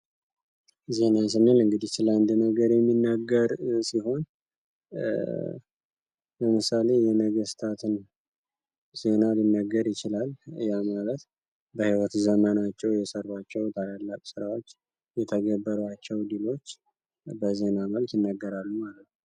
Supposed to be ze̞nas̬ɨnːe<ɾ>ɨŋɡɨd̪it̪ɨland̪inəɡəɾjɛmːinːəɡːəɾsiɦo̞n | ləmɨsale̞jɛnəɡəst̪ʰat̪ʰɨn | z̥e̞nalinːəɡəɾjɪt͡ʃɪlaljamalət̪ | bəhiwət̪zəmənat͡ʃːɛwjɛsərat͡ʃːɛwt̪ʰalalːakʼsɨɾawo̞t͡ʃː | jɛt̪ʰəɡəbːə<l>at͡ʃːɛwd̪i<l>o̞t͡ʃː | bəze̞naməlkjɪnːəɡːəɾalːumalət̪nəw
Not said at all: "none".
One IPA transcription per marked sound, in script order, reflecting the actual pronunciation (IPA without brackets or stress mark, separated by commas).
l, ɾ, l